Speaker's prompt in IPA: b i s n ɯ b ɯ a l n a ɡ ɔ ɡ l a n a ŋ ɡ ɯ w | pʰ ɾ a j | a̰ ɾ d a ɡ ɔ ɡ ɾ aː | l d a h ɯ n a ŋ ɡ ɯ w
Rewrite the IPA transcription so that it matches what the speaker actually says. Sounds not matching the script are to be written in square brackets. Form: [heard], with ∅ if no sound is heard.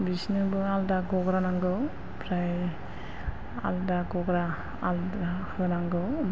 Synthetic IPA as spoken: b i s n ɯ b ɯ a l [d] a ɡ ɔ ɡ [ɾ] a n a ŋ ɡ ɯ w | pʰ ɾ a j | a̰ [l] d a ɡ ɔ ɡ ɾ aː | l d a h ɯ n a ŋ ɡ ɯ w